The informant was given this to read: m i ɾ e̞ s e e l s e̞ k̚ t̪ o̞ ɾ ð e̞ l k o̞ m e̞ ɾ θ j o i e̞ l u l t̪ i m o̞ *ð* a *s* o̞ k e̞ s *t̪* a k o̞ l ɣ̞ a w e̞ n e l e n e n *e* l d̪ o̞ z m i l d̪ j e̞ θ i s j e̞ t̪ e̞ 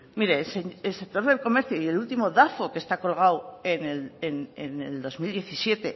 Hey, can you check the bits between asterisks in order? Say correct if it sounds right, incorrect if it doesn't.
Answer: correct, incorrect: f, correct, correct

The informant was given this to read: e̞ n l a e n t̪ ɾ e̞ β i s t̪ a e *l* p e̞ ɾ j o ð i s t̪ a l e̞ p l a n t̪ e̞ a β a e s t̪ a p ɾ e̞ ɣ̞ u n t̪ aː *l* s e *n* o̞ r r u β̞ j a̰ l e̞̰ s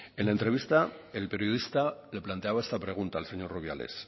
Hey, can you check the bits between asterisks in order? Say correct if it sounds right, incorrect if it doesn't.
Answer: correct, correct, incorrect: ɲ

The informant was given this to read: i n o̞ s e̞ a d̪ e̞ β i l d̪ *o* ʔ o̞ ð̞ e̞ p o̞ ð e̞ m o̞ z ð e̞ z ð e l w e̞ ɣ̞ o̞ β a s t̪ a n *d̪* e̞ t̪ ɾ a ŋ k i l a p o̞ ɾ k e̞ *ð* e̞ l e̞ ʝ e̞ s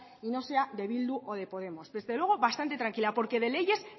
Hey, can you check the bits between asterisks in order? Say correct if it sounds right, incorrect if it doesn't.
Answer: incorrect: u, incorrect: t̪, correct

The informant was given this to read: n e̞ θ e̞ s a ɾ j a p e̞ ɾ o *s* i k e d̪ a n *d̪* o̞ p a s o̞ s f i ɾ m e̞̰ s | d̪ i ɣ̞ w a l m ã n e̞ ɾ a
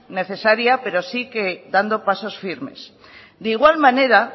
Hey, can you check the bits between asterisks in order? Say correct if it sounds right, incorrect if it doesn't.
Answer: correct, correct

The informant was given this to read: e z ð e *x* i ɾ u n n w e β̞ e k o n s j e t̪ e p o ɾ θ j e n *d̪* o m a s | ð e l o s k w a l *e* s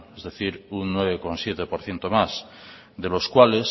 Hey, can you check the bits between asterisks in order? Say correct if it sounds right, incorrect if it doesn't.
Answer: incorrect: θ, incorrect: t̪, correct

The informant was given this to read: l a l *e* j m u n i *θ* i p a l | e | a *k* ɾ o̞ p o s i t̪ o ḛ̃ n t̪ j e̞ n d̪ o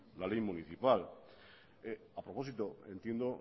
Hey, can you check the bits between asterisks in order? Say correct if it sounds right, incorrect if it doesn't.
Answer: correct, correct, incorrect: p

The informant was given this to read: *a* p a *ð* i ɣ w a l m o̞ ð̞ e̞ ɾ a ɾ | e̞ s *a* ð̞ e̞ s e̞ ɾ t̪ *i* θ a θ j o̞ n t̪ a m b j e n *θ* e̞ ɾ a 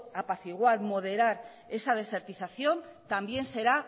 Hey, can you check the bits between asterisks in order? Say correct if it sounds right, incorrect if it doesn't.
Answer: correct, incorrect: θ, correct, correct, incorrect: s

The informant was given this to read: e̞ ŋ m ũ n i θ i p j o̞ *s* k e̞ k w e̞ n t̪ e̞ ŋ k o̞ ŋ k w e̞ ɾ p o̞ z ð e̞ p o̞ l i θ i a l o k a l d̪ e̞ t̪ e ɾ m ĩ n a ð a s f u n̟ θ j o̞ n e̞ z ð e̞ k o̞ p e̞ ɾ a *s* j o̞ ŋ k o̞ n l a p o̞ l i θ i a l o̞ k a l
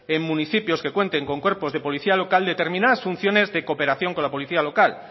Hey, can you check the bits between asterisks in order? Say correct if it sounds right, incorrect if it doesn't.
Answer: correct, incorrect: θ

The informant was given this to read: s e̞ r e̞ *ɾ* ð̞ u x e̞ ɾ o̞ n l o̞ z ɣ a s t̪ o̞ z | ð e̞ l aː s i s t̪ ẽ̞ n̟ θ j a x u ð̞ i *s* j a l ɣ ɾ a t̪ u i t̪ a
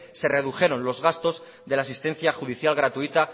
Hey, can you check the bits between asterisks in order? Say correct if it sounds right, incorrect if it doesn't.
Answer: incorrect: none, incorrect: θ

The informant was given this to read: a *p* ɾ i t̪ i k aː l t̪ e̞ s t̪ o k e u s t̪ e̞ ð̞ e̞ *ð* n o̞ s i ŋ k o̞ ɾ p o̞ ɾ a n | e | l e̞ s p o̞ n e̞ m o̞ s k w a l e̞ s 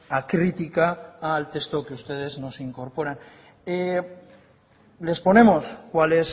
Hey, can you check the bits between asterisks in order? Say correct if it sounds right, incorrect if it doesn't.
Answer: incorrect: k, incorrect: z

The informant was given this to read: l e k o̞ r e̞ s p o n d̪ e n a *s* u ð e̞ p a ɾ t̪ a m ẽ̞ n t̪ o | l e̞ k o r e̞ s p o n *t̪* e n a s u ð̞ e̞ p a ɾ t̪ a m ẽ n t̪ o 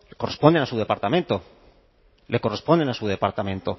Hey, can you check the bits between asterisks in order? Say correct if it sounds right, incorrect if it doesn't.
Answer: correct, incorrect: d̪

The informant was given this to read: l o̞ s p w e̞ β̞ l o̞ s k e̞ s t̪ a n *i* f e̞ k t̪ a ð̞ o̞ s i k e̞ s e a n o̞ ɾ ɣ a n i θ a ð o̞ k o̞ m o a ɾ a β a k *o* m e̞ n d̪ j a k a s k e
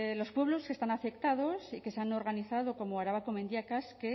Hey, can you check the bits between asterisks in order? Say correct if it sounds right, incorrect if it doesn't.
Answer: incorrect: a, correct

